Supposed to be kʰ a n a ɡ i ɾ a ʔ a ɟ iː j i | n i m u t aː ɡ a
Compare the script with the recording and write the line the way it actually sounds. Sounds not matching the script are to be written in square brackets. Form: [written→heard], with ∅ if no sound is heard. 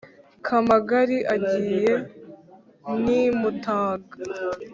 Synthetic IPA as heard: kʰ a [n→m] a ɡ [i→a] ɾ [a→i] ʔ a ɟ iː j [i→e] | n i m u t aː ɡ a